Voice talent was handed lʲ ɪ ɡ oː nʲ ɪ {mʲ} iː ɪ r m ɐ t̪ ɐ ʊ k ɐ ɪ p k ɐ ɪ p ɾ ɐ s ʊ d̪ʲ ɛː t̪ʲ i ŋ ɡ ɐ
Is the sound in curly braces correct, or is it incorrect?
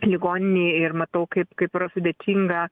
incorrect: nʲ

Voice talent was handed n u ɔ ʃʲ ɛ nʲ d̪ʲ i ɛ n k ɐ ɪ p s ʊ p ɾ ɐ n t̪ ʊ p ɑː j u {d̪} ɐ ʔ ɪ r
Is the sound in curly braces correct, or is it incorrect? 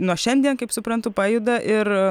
correct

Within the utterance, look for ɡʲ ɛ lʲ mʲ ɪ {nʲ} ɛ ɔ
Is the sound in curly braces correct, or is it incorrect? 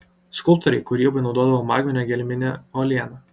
correct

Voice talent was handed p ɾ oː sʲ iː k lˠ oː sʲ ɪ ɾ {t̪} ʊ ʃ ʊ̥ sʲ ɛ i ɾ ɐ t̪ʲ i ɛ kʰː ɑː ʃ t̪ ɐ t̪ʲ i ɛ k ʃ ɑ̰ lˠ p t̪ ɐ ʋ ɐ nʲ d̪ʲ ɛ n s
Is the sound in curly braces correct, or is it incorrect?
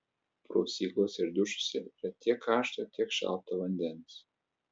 incorrect: d̪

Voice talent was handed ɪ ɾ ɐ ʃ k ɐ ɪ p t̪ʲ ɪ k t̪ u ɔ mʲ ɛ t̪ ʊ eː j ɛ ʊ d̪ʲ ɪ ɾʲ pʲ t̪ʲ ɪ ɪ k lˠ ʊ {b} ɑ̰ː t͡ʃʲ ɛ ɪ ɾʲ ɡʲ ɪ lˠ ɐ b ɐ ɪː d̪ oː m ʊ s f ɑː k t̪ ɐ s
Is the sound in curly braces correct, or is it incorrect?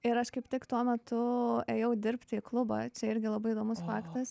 correct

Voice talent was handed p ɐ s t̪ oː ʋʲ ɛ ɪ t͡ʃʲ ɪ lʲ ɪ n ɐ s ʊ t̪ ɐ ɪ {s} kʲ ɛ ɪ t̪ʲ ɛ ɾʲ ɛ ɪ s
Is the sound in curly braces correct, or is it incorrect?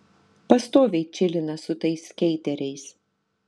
correct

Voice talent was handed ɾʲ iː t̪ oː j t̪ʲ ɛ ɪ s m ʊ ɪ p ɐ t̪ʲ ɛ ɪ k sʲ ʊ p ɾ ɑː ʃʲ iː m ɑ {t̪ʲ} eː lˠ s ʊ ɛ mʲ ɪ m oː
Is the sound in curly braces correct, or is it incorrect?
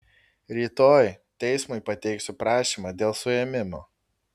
incorrect: d̪ʲ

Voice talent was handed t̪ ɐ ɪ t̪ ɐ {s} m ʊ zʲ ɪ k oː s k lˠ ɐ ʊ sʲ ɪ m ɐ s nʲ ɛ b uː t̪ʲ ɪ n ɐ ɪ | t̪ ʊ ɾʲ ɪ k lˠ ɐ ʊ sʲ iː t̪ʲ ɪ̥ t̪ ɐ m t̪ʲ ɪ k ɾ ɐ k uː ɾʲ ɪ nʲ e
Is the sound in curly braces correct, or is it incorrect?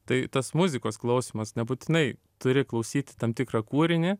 correct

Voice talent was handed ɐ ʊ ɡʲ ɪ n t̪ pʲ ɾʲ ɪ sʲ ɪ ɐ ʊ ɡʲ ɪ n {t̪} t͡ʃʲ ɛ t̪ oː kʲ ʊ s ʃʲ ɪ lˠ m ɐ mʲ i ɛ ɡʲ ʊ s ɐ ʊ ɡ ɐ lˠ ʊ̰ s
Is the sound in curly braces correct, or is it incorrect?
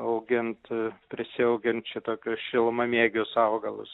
correct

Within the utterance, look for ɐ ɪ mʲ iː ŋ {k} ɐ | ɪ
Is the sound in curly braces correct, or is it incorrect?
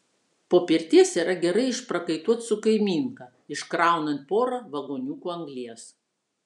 correct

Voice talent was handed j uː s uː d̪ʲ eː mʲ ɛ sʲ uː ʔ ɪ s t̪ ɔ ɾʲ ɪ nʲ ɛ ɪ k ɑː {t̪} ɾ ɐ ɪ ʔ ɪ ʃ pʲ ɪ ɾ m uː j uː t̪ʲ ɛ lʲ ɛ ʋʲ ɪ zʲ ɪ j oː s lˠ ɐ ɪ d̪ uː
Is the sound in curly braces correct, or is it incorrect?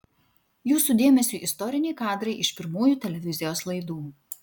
incorrect: d̪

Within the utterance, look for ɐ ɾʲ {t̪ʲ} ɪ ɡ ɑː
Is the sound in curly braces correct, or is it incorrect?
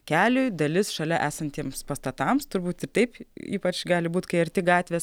correct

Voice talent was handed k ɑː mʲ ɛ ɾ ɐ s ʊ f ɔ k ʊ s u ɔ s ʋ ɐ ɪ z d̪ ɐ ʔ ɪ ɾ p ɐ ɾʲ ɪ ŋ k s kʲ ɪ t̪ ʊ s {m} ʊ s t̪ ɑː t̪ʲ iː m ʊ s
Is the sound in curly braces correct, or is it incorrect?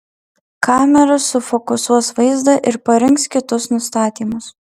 incorrect: n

